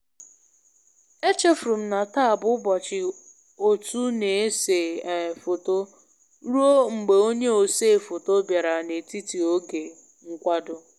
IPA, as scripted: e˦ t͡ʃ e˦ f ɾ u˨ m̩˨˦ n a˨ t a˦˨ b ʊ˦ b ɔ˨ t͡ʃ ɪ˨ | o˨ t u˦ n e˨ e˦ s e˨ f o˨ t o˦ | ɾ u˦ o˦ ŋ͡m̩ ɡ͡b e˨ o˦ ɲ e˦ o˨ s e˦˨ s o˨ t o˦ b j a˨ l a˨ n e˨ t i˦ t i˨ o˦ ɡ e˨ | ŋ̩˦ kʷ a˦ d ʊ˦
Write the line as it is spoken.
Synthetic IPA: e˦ t͡ʃ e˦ f ɾ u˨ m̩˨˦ n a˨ t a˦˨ b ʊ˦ b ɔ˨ t͡ʃ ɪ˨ | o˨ t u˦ n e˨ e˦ s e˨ f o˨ t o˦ | ɾ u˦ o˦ ŋ͡m̩ ɡ͡b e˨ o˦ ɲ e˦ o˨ s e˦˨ f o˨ t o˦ b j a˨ ɾ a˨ n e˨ t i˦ t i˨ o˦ ɡ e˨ | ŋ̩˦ kʷ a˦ d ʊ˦